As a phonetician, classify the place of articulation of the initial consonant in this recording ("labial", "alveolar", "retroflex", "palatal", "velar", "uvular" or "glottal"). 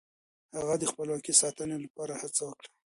glottal